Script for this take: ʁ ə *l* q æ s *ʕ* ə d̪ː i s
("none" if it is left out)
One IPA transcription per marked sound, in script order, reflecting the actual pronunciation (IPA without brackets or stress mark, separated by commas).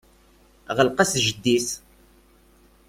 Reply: l, ʒ